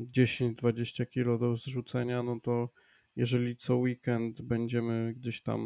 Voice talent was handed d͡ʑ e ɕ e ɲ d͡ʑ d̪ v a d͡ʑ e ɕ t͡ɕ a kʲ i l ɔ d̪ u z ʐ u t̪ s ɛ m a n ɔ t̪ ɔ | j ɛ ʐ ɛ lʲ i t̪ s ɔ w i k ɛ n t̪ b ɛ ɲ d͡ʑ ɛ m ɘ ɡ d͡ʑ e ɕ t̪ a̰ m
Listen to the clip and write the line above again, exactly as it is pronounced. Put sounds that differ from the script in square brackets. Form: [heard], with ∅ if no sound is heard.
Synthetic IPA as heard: d͡ʑ e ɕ e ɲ d͡ʑ d̪ v a d͡ʑ e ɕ t͡ɕ a kʲ i l ɔ d̪ [ɔ] z ʐ u t̪ s ɛ [ɲ] a n ɔ t̪ ɔ | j ɛ ʐ ɛ lʲ i t̪ s ɔ w i k ɛ n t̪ b ɛ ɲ d͡ʑ ɛ m ɘ ɡ d͡ʑ e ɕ t̪ a̰ m